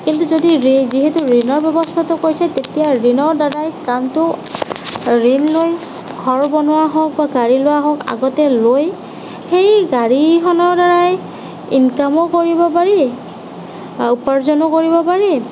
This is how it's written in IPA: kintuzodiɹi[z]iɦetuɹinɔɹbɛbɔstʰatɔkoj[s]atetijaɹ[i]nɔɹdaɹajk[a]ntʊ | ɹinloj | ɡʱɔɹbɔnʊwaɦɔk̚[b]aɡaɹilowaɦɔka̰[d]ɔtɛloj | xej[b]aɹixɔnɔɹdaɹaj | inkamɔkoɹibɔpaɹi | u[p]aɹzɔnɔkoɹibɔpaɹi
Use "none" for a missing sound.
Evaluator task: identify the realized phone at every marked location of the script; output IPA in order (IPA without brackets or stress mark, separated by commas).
z, s, i, a, b, ɡ, ɡ, p